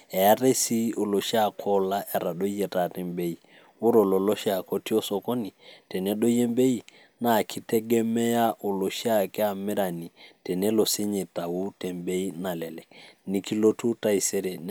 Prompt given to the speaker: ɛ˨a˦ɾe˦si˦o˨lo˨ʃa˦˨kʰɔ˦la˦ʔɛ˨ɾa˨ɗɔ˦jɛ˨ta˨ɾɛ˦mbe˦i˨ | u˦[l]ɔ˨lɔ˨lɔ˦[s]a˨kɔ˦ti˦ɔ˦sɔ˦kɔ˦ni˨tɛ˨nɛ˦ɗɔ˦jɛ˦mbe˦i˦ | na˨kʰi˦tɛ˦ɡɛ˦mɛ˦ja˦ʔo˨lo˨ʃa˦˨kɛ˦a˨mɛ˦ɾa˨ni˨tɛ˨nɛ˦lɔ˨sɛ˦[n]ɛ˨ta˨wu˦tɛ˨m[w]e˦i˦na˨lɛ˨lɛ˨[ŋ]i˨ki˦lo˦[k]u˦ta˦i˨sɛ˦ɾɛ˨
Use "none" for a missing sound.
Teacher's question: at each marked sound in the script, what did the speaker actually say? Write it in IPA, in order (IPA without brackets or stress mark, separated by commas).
ɾ, ʃ, ɲ, b, n, t